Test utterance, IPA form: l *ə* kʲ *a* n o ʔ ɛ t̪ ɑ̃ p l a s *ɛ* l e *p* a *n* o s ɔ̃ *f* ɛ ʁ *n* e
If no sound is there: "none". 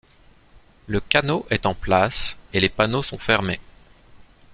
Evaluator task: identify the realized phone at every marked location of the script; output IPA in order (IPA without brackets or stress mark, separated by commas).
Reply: ə, a, e, p, n, f, m